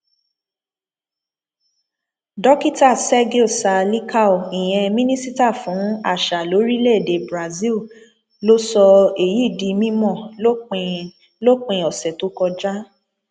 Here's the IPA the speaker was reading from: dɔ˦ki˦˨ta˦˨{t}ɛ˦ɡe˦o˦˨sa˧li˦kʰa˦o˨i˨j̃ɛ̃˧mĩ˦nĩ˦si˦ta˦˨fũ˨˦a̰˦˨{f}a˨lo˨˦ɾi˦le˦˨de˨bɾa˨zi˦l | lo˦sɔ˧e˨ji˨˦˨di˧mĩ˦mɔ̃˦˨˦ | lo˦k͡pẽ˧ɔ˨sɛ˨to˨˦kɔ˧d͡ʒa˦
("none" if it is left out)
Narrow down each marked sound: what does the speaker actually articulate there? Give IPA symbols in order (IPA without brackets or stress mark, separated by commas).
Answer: s, ʃ